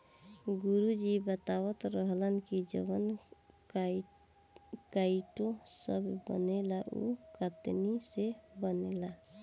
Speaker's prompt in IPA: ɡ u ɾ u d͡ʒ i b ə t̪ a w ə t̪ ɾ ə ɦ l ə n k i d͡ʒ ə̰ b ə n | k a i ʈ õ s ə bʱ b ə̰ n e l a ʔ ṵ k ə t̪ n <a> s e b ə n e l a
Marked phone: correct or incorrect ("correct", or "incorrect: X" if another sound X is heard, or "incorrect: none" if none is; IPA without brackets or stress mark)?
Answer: incorrect: i